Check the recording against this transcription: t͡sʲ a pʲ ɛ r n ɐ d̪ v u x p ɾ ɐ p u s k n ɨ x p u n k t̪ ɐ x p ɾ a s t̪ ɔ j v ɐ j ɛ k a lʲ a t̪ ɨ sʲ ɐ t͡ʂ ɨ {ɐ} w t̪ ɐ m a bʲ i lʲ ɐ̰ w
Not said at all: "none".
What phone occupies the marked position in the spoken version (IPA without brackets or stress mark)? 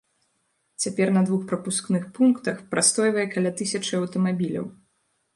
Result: ɐ